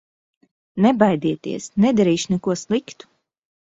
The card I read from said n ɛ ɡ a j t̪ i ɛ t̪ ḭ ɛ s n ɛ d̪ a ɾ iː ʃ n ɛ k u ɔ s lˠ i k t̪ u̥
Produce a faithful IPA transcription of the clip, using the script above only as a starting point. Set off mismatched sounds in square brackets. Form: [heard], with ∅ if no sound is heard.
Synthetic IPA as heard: n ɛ [b] a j [d̪] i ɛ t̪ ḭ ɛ s n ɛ d̪ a ɾ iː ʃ n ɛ k u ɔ s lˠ i k t̪ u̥